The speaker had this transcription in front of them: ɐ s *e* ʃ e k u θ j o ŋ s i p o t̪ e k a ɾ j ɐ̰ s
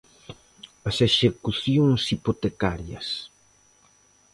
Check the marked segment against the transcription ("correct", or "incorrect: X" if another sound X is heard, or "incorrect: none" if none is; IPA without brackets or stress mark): correct